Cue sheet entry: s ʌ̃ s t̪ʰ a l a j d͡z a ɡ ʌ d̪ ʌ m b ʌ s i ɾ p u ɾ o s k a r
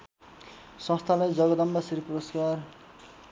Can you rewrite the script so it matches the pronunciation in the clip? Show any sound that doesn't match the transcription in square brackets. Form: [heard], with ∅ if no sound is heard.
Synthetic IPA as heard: s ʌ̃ s t̪ʰ a l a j d͡z [ʌ] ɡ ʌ d̪ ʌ m b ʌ s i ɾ p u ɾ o s k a r